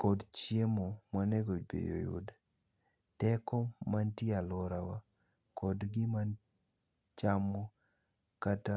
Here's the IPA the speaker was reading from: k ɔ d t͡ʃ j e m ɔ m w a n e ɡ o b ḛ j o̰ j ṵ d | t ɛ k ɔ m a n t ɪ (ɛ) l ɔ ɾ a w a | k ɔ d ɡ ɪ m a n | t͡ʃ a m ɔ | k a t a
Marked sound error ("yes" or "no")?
yes